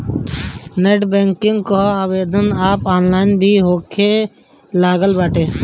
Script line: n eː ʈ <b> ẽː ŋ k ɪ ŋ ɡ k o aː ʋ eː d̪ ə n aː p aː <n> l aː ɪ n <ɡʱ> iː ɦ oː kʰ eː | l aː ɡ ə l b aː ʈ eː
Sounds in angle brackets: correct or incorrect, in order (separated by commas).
correct, correct, incorrect